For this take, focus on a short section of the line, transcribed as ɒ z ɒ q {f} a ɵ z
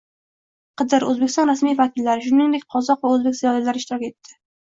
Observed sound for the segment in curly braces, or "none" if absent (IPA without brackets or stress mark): v